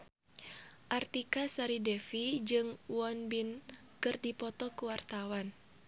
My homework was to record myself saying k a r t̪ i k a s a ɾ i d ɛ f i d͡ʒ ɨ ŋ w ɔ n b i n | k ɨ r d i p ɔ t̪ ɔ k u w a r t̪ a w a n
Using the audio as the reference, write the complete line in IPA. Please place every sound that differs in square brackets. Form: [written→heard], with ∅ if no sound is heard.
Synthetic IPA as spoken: [k→ʔ] a r t̪ i k a s a ɾ i d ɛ f i d͡ʒ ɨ ŋ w ɔ n b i n | k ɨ r d i p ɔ t̪ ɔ k u w a r t̪ a w a n